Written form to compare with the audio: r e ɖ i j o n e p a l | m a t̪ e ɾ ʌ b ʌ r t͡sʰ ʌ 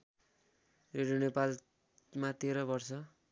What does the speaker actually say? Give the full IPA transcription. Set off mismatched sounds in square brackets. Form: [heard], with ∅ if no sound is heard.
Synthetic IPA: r e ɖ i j o n e p a l | m a t̪ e ɾ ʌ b ʌ r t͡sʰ ʌ